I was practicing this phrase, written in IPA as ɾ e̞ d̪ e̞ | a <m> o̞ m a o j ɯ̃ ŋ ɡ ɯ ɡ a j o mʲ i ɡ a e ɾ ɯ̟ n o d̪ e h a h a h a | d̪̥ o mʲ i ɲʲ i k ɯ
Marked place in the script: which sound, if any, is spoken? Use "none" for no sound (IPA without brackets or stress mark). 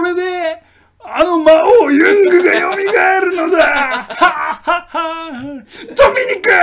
n